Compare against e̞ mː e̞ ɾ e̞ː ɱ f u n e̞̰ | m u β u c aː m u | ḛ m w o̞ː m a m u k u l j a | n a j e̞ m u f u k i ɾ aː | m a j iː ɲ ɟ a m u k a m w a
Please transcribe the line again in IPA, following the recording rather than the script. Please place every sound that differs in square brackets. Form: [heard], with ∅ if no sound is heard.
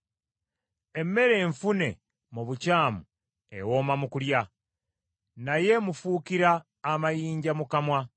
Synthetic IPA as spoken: e̞ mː e̞ ɾ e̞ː ɱ f u n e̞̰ | m u β u c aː m u | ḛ [∅] w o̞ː m a m u k u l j a | n a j e̞ m u f u k i ɾ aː | m a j iː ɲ ɟ a m u k a m w a